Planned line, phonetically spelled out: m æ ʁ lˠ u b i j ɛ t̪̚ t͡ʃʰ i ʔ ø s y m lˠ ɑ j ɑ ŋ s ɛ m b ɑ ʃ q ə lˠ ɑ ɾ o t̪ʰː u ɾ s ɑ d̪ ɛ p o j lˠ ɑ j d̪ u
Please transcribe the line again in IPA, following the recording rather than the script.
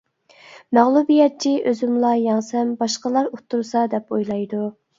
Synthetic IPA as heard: m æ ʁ lˠ u b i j ɛ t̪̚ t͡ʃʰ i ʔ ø z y m lˠ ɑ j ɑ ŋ s ɛ m b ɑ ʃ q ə lˠ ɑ ɾ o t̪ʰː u ɾ s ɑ d̪ ɛ p o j lˠ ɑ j d̪ u